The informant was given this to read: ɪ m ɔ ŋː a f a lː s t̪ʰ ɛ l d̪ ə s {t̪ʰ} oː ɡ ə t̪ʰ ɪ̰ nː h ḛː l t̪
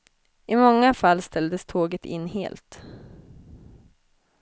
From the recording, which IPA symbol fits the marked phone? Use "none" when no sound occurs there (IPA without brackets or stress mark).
t̪ʰ